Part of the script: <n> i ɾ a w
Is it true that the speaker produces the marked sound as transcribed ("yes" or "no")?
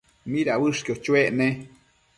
no